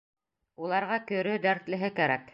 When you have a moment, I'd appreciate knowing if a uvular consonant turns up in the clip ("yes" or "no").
yes